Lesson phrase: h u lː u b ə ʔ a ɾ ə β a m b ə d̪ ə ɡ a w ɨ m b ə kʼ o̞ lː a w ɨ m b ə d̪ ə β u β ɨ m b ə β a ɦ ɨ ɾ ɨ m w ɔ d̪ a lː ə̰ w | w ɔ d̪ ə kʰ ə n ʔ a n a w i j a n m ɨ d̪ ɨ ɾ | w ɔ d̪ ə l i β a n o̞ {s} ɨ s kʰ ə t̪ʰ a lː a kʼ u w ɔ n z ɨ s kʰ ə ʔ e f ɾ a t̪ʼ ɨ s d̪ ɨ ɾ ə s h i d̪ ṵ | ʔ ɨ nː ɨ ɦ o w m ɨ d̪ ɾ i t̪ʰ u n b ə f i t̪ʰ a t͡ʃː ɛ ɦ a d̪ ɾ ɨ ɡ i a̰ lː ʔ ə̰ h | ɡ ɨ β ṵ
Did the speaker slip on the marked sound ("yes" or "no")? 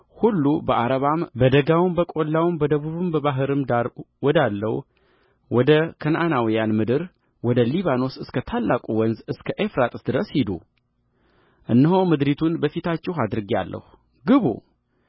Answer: no